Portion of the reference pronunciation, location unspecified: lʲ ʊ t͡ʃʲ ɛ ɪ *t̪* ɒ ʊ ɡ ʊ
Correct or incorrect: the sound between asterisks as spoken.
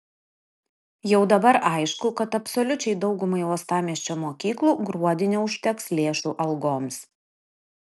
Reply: incorrect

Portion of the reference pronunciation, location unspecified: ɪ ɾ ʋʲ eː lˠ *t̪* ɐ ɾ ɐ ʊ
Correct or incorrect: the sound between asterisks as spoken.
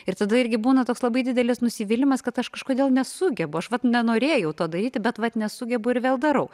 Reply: incorrect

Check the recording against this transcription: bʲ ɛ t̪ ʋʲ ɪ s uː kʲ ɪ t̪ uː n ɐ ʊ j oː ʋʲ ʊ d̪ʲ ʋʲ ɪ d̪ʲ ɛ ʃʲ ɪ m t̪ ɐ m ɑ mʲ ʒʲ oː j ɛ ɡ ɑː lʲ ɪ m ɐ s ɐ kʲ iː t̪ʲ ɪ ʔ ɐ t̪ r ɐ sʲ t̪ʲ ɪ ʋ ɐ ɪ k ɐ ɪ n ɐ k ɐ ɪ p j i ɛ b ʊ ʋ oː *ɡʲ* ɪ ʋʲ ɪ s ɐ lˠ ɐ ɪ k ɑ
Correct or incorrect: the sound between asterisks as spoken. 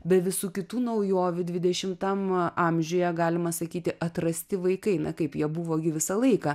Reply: correct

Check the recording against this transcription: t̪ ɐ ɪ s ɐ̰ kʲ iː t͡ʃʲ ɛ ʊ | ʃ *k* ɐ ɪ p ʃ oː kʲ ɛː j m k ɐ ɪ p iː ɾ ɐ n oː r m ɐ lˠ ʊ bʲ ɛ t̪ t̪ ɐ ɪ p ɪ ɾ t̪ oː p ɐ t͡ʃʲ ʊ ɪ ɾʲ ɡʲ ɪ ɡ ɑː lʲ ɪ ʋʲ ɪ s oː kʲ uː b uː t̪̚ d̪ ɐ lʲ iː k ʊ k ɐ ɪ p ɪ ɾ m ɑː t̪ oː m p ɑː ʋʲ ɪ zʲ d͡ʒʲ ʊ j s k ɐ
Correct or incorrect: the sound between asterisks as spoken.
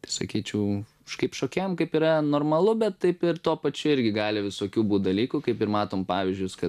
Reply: correct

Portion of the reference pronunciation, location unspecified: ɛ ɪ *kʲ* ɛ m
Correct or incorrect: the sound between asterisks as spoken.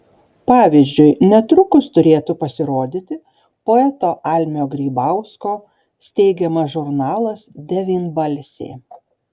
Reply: incorrect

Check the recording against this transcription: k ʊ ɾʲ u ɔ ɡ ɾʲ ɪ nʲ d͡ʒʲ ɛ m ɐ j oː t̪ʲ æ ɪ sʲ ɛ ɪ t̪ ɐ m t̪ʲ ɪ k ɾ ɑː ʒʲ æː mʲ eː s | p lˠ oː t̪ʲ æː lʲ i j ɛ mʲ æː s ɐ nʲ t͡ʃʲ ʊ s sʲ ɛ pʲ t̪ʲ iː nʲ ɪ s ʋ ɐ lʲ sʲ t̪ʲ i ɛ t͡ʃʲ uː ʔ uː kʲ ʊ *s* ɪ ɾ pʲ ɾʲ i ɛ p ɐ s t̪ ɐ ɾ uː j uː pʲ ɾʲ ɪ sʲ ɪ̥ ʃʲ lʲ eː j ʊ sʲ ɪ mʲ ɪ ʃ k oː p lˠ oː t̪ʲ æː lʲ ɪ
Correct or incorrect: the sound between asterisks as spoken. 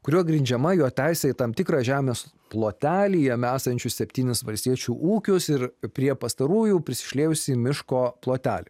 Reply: correct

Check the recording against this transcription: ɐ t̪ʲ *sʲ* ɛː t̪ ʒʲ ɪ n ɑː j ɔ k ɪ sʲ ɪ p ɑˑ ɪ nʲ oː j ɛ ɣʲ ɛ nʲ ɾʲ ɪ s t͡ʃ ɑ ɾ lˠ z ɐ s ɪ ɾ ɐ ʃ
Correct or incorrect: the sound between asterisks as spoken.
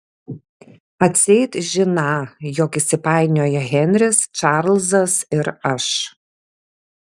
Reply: correct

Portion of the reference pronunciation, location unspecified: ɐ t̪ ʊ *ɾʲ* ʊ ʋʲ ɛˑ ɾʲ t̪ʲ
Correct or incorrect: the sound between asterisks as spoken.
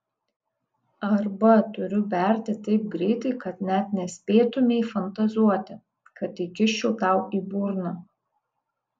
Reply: correct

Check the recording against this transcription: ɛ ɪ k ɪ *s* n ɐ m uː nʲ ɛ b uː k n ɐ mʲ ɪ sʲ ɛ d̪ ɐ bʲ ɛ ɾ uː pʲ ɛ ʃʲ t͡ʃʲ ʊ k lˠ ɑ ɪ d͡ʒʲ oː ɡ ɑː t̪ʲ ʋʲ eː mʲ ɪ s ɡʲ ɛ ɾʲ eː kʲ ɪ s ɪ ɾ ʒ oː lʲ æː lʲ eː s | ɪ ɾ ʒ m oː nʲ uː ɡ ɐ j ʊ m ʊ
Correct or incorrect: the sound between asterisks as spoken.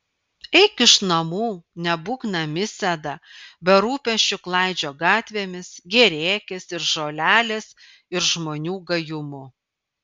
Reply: incorrect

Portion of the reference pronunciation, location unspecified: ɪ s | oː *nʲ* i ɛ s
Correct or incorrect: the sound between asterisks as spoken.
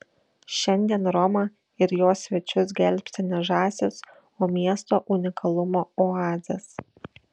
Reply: incorrect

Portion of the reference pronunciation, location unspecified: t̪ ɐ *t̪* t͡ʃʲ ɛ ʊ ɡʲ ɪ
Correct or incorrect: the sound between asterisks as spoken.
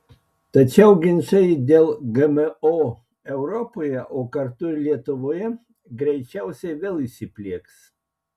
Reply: incorrect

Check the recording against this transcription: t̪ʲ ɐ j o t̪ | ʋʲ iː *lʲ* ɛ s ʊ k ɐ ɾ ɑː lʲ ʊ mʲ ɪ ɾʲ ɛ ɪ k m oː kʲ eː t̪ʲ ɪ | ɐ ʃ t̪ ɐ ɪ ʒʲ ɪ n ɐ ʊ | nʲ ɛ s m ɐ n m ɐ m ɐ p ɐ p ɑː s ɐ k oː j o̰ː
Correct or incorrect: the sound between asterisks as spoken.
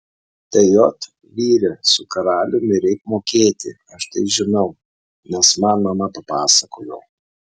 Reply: incorrect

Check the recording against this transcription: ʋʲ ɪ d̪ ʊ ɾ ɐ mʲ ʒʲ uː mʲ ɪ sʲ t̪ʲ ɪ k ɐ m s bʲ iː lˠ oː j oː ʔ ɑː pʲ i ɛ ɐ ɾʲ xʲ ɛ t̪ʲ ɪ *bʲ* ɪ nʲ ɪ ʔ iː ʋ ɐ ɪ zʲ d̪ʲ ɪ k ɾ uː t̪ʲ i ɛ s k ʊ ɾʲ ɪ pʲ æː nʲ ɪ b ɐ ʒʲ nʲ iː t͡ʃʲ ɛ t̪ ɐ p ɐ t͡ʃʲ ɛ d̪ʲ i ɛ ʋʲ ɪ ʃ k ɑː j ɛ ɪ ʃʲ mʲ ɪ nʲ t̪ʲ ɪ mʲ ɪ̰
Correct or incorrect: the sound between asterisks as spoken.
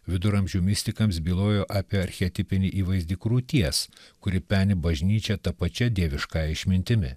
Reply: incorrect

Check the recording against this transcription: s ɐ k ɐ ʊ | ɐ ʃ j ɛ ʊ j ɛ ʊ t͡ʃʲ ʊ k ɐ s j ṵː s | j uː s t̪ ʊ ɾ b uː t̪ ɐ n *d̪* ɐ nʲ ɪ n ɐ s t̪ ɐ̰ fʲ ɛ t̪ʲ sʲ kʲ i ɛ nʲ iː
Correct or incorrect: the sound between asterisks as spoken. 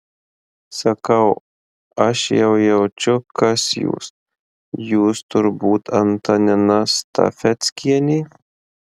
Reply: incorrect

